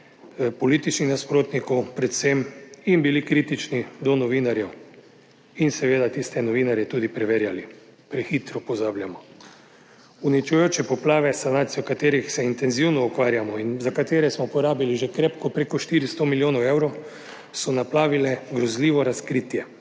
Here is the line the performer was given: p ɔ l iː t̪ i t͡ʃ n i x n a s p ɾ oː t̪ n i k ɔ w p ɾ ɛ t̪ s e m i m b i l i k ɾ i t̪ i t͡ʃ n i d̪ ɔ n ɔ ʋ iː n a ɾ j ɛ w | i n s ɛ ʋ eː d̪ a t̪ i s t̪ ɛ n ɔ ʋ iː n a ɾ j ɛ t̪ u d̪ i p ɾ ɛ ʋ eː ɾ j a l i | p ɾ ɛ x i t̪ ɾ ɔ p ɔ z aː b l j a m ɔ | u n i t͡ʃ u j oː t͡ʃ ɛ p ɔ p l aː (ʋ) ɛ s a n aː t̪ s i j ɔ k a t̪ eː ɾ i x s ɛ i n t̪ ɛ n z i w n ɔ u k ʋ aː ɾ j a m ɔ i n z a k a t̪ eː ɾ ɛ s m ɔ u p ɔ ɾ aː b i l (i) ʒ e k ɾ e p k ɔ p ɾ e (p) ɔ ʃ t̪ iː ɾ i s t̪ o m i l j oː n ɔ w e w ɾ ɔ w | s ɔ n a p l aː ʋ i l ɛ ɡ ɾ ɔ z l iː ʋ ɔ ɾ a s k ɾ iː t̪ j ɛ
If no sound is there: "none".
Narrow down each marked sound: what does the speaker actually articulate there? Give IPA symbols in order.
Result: ʋ, i, k

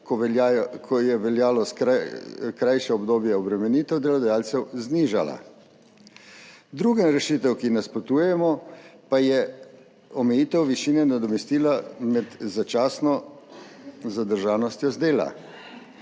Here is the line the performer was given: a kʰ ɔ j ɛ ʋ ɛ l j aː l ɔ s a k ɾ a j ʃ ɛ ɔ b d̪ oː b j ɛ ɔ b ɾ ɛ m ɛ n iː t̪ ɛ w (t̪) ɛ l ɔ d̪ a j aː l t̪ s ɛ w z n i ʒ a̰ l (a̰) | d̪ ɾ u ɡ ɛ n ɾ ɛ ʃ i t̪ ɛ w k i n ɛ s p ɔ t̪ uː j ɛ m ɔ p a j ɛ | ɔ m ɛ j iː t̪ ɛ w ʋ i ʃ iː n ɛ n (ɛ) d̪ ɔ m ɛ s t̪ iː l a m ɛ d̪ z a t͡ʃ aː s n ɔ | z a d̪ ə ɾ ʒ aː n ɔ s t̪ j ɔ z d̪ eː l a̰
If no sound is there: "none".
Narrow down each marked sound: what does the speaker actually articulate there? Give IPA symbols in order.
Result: d̪, a̰, a

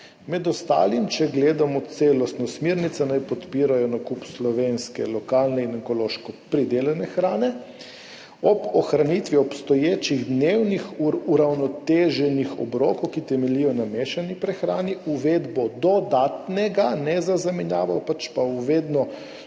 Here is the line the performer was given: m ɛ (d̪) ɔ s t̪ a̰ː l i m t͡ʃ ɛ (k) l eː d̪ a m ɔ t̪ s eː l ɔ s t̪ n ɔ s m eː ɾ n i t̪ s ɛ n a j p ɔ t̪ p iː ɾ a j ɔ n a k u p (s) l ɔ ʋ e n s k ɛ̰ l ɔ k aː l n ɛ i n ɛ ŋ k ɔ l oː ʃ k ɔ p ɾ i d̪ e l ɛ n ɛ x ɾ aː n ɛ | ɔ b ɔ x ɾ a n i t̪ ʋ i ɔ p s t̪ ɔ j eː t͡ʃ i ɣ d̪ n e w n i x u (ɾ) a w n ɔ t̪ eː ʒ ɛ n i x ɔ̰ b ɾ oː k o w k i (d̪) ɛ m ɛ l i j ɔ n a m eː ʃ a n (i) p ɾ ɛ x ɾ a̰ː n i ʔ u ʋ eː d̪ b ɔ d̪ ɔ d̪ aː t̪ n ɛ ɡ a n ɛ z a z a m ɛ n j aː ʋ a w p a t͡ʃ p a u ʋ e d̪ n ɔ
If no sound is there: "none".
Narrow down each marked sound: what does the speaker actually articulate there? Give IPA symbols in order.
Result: d̪, ɡ, s, ɾ, t̪, i

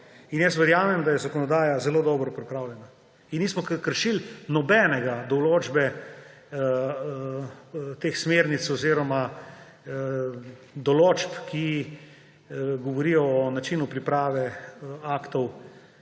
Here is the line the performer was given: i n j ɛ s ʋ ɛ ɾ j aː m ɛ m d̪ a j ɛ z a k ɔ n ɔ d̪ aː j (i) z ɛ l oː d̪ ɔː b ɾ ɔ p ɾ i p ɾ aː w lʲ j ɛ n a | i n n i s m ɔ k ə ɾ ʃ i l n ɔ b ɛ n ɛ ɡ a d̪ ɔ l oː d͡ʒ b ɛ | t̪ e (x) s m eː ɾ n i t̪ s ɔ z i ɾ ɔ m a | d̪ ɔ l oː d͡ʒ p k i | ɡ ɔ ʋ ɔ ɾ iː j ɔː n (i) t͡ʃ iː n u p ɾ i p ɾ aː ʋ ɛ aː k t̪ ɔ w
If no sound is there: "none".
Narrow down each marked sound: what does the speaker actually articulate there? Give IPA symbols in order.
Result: a, x, a

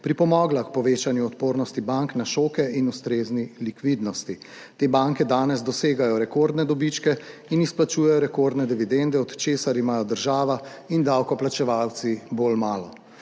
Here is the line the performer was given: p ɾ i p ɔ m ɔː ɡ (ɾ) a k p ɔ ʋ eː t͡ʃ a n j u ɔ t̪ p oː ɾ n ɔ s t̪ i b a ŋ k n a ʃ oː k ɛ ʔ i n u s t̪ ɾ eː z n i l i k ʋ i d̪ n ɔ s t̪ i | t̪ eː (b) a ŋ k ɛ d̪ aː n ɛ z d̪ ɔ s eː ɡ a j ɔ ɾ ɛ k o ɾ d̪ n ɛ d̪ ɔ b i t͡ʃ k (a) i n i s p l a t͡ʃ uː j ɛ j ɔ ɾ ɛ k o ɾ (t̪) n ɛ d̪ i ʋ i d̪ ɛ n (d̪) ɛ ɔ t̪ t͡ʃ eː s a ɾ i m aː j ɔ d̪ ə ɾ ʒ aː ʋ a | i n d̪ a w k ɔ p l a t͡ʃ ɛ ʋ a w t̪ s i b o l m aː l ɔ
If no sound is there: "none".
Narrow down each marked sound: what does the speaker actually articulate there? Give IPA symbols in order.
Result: l, b, ɛ, d̪, d̪

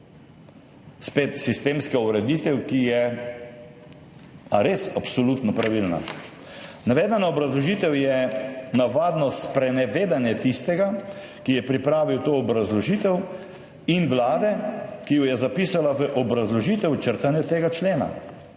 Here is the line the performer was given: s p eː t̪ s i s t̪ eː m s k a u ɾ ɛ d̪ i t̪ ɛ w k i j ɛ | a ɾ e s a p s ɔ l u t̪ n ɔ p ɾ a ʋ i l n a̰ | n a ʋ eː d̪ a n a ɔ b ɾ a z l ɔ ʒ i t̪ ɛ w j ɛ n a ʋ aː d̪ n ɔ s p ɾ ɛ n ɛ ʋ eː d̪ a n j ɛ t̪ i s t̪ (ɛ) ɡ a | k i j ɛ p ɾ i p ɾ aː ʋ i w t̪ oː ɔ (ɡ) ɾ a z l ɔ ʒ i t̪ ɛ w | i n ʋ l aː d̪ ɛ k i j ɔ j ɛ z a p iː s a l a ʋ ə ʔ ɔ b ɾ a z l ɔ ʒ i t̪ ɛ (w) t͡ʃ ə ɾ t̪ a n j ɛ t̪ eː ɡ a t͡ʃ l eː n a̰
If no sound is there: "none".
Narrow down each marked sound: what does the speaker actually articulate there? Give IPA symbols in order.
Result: ɛ, b, w

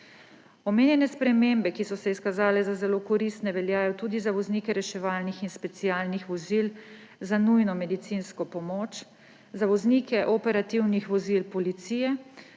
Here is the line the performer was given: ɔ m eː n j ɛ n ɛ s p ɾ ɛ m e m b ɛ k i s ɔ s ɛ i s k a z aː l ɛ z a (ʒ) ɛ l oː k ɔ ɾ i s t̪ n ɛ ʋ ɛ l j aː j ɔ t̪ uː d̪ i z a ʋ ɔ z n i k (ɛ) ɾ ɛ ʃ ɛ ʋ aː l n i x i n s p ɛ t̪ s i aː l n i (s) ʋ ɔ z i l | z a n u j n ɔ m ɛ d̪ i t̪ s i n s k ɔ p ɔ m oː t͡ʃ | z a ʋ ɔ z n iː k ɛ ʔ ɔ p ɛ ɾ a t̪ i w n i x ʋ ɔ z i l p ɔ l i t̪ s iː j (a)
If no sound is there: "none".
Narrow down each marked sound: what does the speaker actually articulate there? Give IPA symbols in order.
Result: z, ɛ, x, ɛ

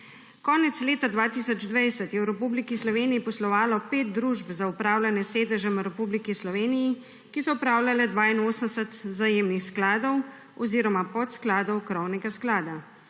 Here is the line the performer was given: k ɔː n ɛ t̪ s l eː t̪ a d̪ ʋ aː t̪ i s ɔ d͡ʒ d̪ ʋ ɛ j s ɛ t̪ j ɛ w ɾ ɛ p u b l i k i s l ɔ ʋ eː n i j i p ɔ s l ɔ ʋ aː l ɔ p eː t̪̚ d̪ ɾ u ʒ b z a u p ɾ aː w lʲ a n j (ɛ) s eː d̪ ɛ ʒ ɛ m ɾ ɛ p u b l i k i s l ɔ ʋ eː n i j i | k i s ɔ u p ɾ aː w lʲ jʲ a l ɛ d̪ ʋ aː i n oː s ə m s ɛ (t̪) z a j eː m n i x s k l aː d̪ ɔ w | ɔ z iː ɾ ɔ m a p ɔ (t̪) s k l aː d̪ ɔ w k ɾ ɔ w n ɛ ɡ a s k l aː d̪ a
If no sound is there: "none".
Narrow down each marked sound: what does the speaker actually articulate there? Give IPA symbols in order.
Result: ɛ, t̪, t̪

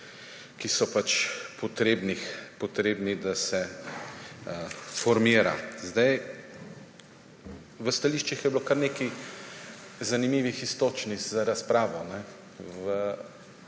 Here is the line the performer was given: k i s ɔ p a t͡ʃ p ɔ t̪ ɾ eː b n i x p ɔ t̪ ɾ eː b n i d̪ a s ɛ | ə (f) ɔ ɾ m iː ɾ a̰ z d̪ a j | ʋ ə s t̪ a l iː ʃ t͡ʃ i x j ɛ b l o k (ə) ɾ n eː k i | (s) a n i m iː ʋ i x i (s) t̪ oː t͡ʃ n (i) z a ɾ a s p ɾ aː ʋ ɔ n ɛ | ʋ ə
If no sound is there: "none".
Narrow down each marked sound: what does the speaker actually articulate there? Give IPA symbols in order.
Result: f, a, z, s, i

